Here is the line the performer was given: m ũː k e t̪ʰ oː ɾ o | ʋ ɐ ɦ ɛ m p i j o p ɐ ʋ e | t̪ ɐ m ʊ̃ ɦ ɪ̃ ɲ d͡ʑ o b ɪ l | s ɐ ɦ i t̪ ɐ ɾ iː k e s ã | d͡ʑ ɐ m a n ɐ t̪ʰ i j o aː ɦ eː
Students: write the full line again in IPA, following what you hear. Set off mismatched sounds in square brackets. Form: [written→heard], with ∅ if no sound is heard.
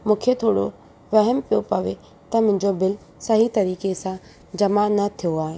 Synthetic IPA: m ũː [k→kʰ] e t̪ʰ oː [ɾ→ɽ] o | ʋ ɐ ɦ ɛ m p i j o p ɐ ʋ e | t̪ ɐ m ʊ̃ ɦ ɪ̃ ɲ d͡ʑ o b ɪ l | s ɐ ɦ i t̪ ɐ ɾ iː k e s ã | d͡ʑ ɐ m a n ɐ t̪ʰ i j o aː ɦ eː